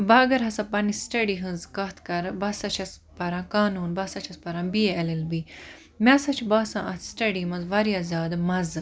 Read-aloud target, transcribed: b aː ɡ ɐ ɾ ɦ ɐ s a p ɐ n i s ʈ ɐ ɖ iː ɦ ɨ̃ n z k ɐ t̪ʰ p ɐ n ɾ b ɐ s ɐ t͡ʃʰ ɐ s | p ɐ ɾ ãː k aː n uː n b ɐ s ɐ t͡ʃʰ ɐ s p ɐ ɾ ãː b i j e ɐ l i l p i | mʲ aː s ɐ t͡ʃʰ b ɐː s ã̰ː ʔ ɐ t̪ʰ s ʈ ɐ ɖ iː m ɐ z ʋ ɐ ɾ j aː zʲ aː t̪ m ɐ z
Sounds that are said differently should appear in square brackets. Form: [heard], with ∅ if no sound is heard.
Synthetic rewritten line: b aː ɡ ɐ ɾ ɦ ɐ s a p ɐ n i s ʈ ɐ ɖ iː ɦ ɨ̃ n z k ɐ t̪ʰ [k] ɐ [∅] ɾ b ɐ s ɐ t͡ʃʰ ɐ s | p ɐ ɾ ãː k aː n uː n b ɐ s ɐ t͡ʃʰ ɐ s p ɐ ɾ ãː b i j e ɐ l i l [b] i | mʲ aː s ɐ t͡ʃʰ b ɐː s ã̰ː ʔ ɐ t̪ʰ s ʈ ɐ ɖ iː m ɐ z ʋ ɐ ɾ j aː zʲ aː [d̪] m ɐ z